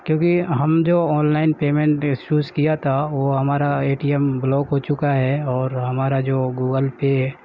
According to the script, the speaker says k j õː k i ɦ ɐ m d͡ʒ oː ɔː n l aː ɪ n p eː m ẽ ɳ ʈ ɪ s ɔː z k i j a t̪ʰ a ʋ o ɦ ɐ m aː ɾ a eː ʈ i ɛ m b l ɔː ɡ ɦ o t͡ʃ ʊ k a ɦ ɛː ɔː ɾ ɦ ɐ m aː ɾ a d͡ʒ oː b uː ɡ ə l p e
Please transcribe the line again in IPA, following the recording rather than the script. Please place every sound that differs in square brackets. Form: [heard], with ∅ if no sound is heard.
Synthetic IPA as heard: k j õː k i ɦ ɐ m d͡ʒ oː ɔː n l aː ɪ n p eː m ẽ ɳ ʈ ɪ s [uː] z k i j a t̪ʰ a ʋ o ɦ ɐ m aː ɾ a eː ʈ i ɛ m b l ɔː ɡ ɦ o t͡ʃ ʊ k a ɦ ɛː ɔː ɾ ɦ ɐ m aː ɾ a d͡ʒ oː [ɡ] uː ɡ ə l p e